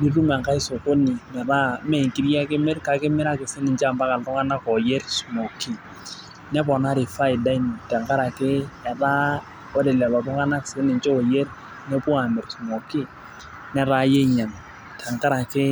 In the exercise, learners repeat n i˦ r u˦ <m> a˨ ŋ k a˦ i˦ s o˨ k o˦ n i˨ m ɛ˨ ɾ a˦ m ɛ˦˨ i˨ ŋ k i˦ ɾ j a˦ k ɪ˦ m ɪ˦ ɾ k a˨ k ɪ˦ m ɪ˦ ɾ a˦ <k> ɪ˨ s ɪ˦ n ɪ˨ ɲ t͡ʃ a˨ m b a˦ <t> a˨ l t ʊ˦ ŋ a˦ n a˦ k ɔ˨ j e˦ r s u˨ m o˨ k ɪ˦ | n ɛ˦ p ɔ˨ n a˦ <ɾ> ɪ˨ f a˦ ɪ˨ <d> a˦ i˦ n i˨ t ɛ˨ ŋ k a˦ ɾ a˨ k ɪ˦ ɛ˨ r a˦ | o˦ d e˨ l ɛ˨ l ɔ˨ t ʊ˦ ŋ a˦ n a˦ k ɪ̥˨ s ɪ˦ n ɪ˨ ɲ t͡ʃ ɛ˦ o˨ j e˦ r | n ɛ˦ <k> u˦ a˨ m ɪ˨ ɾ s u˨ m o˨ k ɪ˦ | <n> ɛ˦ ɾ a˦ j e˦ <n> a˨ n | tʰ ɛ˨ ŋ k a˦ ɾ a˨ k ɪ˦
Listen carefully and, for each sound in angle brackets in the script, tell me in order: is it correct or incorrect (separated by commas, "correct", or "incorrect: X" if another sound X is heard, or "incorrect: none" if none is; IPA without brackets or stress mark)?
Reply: correct, correct, incorrect: k, correct, correct, incorrect: p, correct, incorrect: ɲ